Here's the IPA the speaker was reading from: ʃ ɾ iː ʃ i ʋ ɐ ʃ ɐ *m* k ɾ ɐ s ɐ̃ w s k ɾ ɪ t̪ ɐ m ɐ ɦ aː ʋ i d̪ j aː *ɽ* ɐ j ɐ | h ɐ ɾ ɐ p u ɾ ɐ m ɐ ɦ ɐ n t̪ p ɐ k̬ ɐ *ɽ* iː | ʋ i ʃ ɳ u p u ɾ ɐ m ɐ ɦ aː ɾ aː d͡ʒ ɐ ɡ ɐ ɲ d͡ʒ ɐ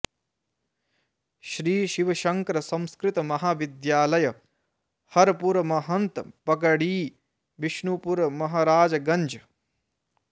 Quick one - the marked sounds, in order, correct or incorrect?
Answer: incorrect: ŋ, incorrect: l, correct

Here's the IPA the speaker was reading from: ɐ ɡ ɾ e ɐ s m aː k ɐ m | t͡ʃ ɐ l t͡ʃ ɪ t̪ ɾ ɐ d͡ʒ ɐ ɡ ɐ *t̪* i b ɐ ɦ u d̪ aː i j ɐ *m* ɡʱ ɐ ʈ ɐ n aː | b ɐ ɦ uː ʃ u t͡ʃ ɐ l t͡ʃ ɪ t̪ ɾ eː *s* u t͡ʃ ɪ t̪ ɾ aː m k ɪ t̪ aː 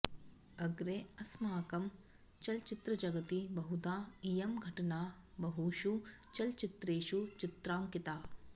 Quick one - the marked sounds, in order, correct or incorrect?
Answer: correct, correct, incorrect: ʃ

